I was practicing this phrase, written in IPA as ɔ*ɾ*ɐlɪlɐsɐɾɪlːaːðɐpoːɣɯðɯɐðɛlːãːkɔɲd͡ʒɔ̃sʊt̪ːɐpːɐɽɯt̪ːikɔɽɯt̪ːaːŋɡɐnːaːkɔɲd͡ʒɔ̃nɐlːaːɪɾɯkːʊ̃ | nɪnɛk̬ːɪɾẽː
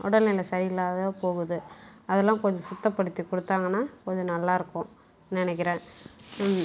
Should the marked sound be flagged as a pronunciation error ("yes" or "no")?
yes